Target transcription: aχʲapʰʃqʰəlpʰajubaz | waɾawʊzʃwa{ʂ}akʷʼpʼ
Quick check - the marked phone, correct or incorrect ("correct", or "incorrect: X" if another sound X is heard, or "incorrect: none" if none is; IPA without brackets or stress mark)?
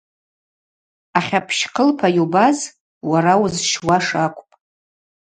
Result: correct